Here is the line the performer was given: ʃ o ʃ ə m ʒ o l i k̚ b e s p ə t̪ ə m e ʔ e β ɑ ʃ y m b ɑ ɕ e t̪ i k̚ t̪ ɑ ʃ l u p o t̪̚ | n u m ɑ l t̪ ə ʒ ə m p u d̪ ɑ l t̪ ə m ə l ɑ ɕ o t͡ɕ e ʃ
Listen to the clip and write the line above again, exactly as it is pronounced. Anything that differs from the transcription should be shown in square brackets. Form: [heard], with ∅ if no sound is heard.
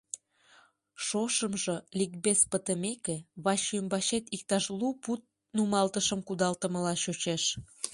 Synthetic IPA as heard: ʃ o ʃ ə m ʒ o l i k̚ b e s p ə t̪ ə m e [k] e β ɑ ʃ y m b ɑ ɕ e t̪ i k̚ t̪ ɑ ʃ l u p [u] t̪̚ | n u m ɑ l t̪ ə [ʃ] ə m [k] u d̪ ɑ l t̪ ə m ə l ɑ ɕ o t͡ɕ e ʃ

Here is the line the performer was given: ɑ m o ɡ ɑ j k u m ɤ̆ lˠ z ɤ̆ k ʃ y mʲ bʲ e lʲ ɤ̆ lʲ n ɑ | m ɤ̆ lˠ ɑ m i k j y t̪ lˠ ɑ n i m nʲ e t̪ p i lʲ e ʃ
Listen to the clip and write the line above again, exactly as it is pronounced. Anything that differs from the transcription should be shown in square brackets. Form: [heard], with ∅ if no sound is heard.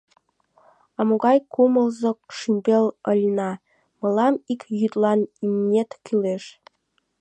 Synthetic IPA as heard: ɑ m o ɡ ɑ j k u m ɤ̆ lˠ z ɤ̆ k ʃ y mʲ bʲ e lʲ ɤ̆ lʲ n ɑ | m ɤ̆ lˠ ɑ m i k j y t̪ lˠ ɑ n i m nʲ e t̪ [k] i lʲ e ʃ

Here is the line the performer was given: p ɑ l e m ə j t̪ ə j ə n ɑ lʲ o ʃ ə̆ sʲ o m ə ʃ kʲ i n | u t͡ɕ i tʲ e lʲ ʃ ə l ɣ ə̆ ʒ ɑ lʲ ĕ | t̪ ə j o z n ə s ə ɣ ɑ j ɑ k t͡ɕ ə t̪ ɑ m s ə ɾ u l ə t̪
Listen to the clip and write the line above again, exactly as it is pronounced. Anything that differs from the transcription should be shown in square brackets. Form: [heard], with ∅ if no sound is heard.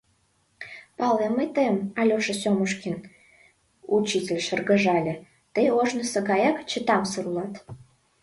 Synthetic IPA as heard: p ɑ l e m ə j t̪ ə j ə [m] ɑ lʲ o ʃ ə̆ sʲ o m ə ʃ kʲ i n | u t͡ɕ i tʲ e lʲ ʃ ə [r] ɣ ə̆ ʒ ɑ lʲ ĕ | t̪ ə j o [ʒ] n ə s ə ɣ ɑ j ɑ k t͡ɕ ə t̪ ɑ m s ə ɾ u l [ɑ] t̪

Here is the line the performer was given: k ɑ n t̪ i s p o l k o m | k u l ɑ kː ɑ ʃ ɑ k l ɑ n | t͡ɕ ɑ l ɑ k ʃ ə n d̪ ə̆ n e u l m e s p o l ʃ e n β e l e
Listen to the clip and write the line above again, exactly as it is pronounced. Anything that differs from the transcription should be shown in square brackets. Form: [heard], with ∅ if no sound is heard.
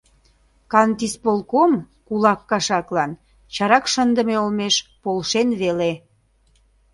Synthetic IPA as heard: k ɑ n t̪ i s p o l k o m | k u l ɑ kː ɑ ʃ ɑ k l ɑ n | t͡ɕ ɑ [ɾ] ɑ k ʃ ə n d̪ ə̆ [m] e [o] l m e [ʃ] p o l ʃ e n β e l e

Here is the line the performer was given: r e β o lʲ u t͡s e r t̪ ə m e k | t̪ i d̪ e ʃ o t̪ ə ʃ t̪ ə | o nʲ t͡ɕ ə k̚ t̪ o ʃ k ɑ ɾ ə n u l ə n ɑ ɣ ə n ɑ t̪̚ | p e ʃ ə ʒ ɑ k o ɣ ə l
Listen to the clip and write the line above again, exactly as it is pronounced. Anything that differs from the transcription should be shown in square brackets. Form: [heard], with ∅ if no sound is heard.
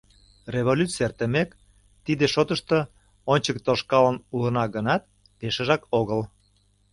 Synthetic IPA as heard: r e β o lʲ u t͡s e r t̪ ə m e k | t̪ i d̪ e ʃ o t̪ ə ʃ t̪ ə | o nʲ t͡ɕ ə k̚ t̪ o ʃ k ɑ [l] ə n u l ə n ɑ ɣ ə n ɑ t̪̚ | p e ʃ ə ʒ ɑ k o ɣ ə l

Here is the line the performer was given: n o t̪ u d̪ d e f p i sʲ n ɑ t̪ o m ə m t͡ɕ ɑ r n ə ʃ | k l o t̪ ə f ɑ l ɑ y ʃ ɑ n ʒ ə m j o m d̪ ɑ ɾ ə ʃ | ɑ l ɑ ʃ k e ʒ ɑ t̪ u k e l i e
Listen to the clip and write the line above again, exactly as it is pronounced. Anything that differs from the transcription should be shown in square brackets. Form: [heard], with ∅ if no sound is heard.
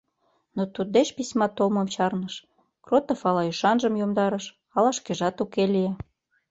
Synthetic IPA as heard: n o t̪ u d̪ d e [ʃ] p i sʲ [m] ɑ t̪ o m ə m t͡ɕ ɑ r n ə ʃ | k [r] o t̪ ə f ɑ l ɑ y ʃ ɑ n ʒ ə m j o m d̪ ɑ ɾ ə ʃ | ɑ l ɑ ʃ k e ʒ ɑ t̪ u k e l i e

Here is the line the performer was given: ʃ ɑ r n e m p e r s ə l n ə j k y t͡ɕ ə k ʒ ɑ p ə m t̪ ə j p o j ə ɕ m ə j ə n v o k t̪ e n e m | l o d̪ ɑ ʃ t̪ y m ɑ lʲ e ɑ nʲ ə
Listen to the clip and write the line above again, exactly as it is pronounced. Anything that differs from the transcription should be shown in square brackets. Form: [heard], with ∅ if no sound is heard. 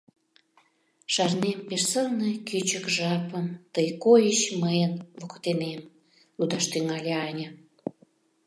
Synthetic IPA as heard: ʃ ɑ r n e m p e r s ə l n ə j k y t͡ɕ ə k ʒ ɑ p ə m t̪ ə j [k] o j ə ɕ m ə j ə n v o k t̪ e n e m | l [u] d̪ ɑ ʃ t̪ y [ŋ] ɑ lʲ e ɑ nʲ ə

